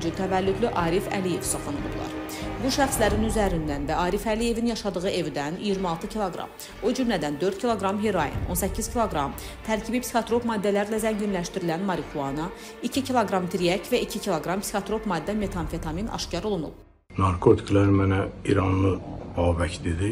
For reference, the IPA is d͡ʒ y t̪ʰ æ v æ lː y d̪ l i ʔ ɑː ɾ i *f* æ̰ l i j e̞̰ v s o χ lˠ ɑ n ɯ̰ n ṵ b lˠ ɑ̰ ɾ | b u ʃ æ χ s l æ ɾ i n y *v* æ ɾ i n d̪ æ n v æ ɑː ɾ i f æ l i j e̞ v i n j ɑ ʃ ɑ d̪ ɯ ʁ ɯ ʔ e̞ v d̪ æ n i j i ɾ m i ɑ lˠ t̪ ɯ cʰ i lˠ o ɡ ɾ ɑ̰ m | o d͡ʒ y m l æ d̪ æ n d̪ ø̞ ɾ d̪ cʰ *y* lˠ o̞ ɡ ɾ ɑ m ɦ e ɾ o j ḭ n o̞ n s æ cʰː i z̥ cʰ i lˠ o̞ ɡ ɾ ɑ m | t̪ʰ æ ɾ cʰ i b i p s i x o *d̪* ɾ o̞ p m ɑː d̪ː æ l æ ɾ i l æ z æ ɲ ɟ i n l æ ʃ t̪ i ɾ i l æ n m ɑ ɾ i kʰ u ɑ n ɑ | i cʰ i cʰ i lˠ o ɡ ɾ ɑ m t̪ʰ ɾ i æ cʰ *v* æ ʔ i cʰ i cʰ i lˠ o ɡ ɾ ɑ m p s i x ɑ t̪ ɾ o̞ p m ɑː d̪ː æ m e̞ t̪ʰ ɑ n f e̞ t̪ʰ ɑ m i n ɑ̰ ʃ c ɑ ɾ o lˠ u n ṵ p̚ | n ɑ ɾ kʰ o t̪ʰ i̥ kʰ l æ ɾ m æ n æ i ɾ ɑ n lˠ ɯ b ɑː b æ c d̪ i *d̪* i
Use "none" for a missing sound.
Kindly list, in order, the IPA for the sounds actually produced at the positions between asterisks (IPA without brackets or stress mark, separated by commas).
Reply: f, z, i, t̪, v, d̪